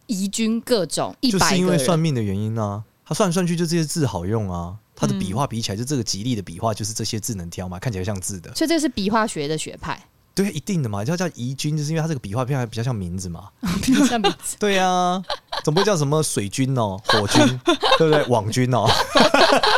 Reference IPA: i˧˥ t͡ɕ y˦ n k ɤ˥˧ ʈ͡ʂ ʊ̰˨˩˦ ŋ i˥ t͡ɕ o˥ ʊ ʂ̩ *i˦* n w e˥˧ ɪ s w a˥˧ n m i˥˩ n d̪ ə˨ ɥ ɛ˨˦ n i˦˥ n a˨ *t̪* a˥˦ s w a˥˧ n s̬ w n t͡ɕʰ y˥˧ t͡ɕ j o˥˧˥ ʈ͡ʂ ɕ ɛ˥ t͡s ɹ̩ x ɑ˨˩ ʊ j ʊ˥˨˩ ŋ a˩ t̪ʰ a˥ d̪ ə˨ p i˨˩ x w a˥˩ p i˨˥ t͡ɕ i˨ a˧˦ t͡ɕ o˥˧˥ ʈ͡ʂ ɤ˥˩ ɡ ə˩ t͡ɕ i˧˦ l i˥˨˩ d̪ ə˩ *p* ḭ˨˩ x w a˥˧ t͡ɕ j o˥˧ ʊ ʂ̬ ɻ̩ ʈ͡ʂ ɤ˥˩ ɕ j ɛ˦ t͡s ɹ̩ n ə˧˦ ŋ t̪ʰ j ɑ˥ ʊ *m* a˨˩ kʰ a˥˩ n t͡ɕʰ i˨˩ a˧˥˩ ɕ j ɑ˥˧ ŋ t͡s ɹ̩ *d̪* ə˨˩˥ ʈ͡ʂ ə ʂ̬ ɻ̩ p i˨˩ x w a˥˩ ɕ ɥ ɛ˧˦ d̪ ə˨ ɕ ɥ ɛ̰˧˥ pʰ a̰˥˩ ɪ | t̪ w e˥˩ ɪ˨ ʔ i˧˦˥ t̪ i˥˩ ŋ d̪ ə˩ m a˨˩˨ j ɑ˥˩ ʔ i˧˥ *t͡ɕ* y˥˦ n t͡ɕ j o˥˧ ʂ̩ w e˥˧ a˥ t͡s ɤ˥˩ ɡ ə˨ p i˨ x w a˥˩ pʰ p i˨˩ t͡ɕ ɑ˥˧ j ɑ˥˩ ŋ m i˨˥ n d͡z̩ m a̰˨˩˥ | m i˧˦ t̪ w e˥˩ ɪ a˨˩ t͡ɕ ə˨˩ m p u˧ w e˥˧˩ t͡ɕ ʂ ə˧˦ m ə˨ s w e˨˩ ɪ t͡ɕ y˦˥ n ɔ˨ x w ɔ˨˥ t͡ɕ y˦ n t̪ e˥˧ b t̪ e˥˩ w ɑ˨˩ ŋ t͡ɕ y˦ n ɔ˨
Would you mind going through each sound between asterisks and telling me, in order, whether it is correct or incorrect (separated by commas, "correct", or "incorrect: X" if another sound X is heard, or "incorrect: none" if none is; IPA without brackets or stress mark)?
correct, incorrect: t̪ʰ, correct, correct, correct, correct